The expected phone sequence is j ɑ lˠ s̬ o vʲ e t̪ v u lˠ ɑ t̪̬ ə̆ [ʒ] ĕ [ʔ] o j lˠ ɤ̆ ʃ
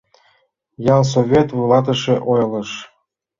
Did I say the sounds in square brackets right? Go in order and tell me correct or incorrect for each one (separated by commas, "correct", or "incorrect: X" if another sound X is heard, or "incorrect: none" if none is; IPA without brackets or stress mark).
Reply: incorrect: ʃ, correct